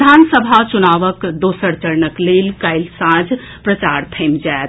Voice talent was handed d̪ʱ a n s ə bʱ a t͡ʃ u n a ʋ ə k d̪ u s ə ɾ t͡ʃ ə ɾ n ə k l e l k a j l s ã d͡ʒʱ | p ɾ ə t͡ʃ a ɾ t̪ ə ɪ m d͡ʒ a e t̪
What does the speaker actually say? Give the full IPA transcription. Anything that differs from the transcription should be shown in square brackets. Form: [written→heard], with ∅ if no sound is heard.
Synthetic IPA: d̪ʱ a n s ə bʱ a t͡ʃ u n a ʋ ə k d̪ [u→o] s ə ɾ t͡ʃ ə ɾ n ə k l e l k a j l s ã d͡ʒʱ | p ɾ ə t͡ʃ a ɾ [t̪→t̪ʰ] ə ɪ m d͡ʒ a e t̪